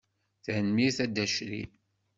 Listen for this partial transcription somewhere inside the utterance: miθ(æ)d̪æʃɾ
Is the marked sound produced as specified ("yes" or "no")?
yes